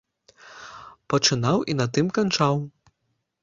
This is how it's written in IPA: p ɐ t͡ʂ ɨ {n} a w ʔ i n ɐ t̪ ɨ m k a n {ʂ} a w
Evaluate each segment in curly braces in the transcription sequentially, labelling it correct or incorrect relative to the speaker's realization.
correct, incorrect

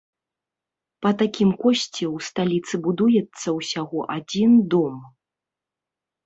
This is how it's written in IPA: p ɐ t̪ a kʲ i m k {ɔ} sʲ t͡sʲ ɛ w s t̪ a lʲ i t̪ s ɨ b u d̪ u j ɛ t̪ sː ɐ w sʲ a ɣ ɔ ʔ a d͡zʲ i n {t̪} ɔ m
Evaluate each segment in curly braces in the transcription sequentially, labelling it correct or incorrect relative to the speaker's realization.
correct, incorrect

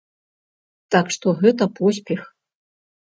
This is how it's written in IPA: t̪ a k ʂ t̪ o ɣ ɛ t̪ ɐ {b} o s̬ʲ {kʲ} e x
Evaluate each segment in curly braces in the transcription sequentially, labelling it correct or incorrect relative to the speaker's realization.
incorrect, incorrect

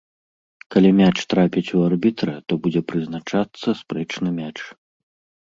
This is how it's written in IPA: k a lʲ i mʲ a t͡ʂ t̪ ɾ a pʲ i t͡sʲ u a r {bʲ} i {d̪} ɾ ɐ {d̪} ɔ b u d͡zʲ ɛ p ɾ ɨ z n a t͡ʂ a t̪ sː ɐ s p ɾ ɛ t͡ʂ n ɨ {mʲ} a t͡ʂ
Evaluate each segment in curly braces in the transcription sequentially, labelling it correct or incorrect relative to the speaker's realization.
correct, incorrect, incorrect, correct

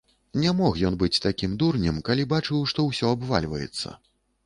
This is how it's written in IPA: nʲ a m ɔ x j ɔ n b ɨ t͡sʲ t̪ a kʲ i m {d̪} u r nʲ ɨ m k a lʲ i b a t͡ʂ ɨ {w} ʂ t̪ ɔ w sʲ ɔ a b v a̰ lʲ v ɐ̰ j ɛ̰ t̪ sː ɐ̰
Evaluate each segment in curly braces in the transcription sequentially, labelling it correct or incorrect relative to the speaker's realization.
correct, correct

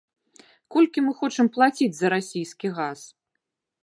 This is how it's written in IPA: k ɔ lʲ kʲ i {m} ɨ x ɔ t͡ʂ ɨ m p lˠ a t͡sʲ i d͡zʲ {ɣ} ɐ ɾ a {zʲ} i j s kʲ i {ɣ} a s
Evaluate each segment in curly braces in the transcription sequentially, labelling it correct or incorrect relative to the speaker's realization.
correct, incorrect, incorrect, correct

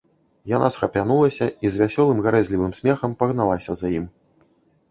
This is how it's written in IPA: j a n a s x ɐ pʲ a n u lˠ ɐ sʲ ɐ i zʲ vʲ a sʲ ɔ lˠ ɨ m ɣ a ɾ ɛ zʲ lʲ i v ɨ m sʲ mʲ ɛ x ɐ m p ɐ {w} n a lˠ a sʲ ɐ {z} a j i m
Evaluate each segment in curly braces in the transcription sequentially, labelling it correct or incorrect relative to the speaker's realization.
incorrect, correct

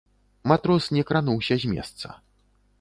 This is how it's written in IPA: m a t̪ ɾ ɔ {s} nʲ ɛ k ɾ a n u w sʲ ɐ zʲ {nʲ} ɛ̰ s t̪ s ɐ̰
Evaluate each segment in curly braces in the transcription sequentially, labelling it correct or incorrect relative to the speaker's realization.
correct, incorrect

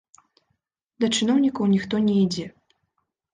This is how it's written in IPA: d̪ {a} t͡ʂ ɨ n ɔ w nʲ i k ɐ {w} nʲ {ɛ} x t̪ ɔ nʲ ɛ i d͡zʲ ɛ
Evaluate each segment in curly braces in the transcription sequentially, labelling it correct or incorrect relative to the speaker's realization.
incorrect, correct, incorrect

